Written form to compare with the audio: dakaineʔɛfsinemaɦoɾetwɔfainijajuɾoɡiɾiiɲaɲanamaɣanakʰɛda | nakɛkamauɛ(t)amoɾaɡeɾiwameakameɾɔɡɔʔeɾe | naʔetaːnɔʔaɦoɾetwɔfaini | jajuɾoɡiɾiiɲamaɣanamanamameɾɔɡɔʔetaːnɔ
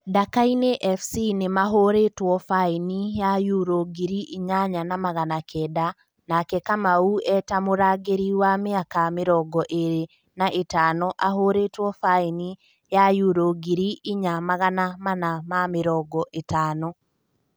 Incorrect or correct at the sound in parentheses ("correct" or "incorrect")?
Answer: correct